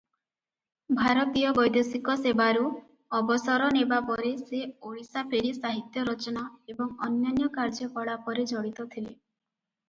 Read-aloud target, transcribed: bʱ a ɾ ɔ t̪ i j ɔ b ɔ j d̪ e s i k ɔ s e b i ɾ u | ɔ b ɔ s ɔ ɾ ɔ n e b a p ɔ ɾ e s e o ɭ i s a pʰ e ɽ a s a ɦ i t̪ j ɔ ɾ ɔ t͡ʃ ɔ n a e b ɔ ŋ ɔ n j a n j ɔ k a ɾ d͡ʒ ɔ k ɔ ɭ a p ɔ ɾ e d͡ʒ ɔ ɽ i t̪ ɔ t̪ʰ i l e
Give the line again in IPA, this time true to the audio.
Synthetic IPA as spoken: bʱ a ɾ ɔ t̪ i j ɔ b ɔ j d̪ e s i k ɔ s e b a ɾ u | ɔ b ɔ s ɔ ɾ ɔ n e b a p ɔ ɾ e s e o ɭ i s a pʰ e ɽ i s a ɦ i t̪ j ɔ ɾ ɔ t͡ʃ ɔ n a e b ɔ ŋ ɔ n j a n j ɔ k a ɾ d͡ʒ ɔ k ɔ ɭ a p ɔ ɾ e d͡ʒ ɔ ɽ i t̪ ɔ t̪ʰ i l e